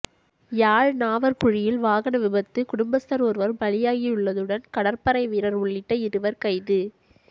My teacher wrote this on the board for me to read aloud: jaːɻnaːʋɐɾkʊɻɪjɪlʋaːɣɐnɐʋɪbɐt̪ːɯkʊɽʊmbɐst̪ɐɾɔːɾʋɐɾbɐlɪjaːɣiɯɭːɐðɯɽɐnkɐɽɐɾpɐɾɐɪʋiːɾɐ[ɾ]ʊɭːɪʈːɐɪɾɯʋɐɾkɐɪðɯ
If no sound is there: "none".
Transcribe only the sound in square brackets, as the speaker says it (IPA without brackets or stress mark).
ɾ